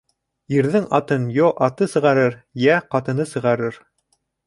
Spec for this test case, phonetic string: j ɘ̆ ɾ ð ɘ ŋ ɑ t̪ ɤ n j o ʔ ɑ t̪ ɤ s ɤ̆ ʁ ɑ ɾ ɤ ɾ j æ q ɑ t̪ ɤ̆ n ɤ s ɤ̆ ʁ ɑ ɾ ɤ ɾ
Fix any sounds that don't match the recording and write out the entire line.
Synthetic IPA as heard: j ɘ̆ ɾ ð ɘ ŋ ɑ t̪ ɤ n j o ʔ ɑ t̪ ɤ s ɤ̆ ʁ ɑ ɾ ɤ ɾ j æ q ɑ t̪ ɤ̆ n ɤ s ɤ̆ ʁ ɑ ɾ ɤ ɾ